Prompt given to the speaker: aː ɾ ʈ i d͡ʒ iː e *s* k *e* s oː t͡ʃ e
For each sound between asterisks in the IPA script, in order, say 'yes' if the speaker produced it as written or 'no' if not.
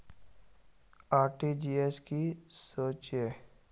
yes, no

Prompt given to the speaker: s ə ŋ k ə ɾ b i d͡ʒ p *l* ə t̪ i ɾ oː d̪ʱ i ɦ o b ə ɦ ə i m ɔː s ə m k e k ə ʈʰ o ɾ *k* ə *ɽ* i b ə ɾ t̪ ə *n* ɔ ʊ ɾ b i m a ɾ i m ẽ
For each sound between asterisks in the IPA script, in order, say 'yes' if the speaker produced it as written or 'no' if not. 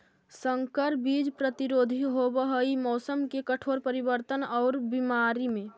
no, no, no, yes

